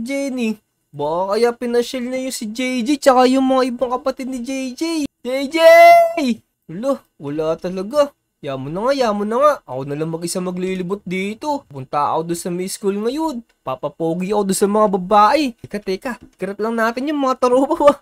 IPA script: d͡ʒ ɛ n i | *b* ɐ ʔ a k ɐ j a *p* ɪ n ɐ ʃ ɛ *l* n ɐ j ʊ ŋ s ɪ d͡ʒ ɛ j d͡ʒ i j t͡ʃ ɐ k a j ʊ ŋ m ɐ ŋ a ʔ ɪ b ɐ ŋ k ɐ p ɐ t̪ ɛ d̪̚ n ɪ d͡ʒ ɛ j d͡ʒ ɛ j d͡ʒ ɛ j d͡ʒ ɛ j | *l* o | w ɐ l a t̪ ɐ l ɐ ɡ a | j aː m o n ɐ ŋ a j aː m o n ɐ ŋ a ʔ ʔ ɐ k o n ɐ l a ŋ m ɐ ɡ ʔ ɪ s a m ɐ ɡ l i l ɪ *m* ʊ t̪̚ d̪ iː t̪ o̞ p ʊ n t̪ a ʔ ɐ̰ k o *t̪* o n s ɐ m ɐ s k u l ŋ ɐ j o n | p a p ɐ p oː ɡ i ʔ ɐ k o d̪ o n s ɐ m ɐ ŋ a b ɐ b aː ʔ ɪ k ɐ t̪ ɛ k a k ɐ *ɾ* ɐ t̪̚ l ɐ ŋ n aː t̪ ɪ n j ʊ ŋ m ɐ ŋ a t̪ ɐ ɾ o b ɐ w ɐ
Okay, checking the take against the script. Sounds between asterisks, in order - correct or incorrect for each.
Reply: correct, correct, correct, correct, incorrect: b, incorrect: d̪, correct

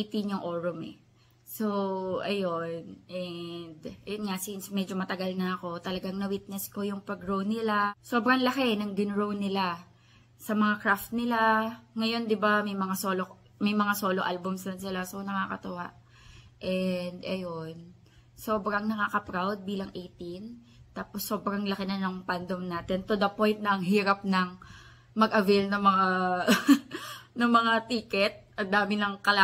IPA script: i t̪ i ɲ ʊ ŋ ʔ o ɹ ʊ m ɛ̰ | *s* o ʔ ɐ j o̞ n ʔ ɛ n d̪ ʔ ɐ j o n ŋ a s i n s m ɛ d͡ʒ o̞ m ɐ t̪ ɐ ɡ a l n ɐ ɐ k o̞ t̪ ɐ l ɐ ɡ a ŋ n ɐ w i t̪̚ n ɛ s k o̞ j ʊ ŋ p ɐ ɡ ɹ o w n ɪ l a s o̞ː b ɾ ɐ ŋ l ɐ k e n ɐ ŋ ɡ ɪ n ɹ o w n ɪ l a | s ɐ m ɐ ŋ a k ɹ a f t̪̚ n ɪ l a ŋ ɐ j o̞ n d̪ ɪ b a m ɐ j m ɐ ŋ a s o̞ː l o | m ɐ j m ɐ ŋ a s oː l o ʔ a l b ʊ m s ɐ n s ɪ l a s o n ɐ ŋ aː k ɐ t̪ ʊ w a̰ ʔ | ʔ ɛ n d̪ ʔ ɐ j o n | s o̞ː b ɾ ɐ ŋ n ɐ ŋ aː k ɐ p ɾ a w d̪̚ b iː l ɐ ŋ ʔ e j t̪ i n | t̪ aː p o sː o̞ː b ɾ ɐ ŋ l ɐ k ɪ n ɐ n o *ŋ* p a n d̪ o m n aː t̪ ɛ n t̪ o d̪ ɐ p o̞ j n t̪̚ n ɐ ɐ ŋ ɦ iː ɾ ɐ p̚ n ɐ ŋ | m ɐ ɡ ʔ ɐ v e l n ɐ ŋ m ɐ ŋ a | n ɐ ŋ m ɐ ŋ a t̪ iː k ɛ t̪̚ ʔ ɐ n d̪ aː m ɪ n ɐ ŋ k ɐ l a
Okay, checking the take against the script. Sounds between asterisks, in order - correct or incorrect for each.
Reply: correct, correct

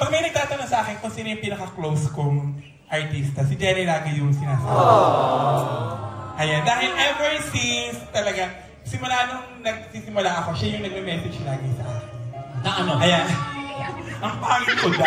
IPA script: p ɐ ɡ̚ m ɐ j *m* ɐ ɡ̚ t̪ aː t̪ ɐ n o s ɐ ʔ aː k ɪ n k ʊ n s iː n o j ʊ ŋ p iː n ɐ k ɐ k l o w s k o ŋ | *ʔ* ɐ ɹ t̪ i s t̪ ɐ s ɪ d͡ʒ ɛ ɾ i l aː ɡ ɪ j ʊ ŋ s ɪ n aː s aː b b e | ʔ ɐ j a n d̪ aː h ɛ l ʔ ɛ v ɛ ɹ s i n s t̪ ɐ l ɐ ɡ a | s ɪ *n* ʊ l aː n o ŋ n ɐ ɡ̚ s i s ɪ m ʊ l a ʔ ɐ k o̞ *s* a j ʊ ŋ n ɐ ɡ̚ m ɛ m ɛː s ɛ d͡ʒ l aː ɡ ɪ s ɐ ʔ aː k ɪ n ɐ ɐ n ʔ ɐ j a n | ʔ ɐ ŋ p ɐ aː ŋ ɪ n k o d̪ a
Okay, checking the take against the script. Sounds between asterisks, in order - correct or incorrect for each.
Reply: incorrect: n, correct, incorrect: m, incorrect: ʃ

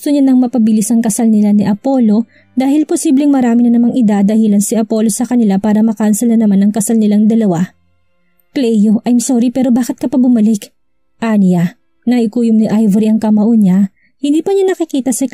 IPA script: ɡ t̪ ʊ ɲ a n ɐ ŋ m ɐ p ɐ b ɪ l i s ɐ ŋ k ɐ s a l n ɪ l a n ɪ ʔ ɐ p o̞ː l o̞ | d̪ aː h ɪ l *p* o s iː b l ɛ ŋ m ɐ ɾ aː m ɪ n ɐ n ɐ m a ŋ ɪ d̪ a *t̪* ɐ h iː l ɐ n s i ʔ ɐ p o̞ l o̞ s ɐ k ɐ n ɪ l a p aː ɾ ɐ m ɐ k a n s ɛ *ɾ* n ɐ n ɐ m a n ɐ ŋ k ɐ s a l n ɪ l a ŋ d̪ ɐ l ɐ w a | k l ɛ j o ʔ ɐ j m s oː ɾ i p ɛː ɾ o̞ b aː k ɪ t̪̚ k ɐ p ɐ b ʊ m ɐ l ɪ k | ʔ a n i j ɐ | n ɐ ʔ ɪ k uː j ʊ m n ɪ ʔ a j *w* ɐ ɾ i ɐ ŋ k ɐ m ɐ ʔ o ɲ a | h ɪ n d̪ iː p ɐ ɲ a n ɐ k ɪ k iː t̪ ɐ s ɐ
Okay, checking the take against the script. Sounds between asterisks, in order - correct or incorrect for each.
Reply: correct, incorrect: d̪, incorrect: l, incorrect: v

